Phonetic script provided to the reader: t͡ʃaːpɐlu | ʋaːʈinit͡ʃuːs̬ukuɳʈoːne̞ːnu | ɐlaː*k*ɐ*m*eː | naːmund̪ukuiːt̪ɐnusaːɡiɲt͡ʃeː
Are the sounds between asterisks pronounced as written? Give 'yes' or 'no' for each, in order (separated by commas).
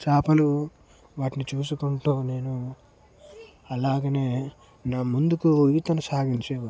no, no